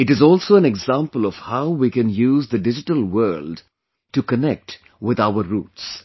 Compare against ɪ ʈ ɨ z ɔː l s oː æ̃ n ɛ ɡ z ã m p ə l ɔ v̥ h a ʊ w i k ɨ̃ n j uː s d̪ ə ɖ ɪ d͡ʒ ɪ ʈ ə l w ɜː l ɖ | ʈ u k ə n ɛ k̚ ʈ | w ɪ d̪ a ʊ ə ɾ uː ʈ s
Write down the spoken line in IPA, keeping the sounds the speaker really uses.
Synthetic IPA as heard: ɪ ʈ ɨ z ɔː l s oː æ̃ n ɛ ɡ z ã m p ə l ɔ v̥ h a ʊ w i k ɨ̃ n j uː z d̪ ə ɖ ɪ d͡ʒ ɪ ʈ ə l w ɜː l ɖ | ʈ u k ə n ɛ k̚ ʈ | w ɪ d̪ a ʊ ə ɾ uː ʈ s